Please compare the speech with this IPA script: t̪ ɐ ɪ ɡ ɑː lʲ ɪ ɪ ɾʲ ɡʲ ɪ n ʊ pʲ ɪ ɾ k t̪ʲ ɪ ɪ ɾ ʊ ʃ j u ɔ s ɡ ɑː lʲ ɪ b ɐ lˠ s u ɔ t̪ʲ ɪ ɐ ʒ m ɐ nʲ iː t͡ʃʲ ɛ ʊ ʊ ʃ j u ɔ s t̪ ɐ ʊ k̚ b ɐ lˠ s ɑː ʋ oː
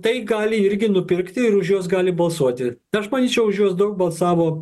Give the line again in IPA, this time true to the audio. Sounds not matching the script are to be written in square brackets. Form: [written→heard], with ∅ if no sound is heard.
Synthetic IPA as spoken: t̪ ɐ ɪ ɡ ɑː lʲ ɪ ɪ ɾʲ ɡʲ ɪ n ʊ pʲ ɪ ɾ k t̪ʲ ɪ ɪ ɾ ʊ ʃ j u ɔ s ɡ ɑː lʲ ɪ b ɐ lˠ s u ɔ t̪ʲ ɪ ɐ [ʒ→ʃ] m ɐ nʲ iː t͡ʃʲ ɛ ʊ ʊ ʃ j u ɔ s [t̪→d̪] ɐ ʊ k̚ b ɐ lˠ s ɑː ʋ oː